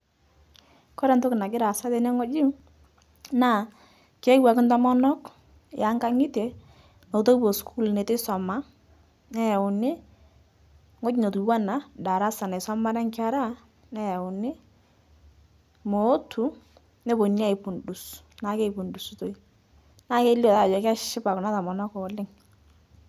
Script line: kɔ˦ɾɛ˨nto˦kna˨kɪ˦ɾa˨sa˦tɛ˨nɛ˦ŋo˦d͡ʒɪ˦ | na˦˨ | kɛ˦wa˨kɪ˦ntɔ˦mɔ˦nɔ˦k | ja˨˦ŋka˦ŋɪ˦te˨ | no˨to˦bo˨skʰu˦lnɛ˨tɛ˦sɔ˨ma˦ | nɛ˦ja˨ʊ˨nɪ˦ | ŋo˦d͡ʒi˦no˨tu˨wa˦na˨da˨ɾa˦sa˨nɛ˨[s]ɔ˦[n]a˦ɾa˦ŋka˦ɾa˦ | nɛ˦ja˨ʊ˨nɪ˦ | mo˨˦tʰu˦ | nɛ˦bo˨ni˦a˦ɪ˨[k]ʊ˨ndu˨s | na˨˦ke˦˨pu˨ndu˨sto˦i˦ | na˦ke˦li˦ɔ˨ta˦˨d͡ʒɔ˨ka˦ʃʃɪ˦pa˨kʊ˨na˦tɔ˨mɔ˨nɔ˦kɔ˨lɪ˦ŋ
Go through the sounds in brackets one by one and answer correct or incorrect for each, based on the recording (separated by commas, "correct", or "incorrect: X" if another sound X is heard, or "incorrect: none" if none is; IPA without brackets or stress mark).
correct, incorrect: m, incorrect: p